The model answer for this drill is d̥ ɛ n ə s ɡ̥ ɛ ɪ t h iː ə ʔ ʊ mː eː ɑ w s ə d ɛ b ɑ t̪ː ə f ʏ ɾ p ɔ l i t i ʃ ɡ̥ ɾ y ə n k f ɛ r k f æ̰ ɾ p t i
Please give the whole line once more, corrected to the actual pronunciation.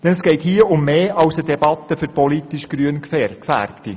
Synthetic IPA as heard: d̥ ɛ n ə s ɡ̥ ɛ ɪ t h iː ə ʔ ʊ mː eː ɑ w s ə d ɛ b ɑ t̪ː ə f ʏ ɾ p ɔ l i t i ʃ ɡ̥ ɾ y ə n k f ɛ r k f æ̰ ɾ p t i